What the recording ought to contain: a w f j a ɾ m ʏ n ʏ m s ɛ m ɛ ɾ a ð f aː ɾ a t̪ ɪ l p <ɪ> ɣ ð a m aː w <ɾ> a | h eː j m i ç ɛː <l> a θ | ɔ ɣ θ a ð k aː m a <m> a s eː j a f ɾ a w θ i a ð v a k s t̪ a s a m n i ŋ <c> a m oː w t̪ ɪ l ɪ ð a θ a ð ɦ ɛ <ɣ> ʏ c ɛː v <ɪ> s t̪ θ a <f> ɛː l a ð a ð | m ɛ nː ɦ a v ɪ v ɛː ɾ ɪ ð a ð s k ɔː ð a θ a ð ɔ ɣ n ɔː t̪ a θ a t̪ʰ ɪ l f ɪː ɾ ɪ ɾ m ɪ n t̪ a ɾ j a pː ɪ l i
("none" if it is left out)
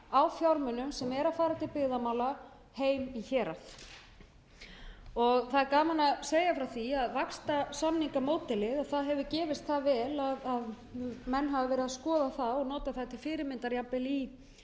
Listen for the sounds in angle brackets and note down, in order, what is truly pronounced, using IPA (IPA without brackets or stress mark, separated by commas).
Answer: ɪ, l, ɾ, n, k, v, ɪ, v